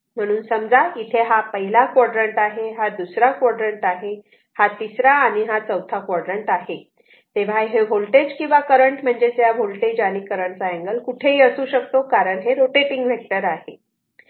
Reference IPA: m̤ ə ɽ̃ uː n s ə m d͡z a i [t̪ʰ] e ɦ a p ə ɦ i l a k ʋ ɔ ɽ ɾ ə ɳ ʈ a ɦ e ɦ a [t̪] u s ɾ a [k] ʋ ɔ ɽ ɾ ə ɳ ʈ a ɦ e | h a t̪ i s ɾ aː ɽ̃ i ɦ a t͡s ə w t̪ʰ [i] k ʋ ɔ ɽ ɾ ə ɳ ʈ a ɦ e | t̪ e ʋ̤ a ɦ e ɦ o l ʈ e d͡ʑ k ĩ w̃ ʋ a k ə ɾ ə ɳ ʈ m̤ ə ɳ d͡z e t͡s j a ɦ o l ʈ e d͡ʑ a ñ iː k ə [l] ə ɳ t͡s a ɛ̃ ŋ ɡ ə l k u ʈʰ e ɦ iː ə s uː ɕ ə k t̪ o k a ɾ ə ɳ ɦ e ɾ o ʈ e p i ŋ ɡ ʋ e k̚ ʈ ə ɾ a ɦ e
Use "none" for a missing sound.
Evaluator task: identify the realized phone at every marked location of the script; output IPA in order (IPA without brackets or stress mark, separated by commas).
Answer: t̪ʰ, d̪, k, a, ɾ